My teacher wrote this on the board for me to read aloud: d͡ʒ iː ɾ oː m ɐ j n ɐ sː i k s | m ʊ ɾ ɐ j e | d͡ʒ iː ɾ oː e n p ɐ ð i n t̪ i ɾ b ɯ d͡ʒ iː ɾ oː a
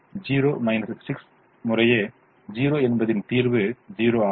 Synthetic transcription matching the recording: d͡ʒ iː ɾ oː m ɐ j n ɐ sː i k s | m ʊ ɾ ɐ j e | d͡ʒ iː ɾ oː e n b ɐ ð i n t̪ iː ɾ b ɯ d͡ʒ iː ɾ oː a